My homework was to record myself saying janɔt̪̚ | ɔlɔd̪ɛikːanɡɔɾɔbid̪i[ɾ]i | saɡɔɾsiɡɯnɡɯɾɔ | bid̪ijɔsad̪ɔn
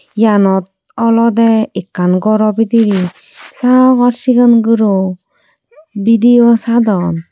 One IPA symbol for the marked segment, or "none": ɾ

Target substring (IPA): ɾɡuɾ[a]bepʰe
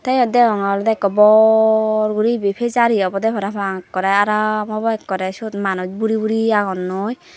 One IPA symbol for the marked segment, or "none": i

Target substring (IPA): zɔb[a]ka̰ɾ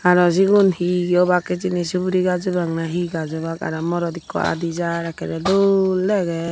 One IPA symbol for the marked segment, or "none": a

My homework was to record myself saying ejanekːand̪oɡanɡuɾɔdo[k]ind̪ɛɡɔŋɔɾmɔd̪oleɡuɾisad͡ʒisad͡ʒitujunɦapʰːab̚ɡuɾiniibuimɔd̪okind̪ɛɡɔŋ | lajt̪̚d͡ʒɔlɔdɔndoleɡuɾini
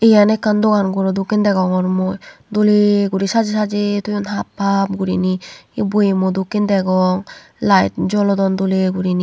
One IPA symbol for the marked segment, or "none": k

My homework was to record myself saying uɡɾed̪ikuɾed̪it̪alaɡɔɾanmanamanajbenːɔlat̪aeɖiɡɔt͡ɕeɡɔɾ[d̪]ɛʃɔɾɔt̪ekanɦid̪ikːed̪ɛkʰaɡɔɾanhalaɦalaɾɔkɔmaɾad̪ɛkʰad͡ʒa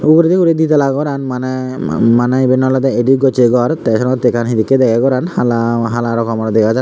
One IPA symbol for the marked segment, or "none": t̪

